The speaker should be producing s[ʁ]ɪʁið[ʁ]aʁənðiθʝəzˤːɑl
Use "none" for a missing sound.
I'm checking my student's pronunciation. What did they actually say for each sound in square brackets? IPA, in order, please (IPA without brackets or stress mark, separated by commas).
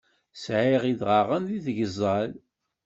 ʕ, ʁ